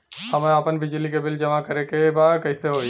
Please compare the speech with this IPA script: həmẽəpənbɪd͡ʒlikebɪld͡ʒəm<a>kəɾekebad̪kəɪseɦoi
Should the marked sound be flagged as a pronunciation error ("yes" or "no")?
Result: no